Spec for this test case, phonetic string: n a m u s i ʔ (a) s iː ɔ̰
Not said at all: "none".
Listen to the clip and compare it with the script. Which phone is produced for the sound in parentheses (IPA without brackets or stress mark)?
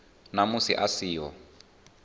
a